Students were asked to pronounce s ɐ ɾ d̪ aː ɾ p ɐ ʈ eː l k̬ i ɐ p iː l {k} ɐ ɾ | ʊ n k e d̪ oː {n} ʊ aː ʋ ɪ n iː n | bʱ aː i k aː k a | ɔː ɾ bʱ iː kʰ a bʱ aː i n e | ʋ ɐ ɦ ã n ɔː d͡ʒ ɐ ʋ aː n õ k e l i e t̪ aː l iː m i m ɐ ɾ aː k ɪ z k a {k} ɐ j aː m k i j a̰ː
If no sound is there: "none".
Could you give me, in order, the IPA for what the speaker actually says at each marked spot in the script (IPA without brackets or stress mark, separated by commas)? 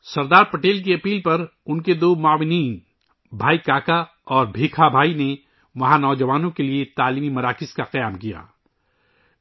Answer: p, m, q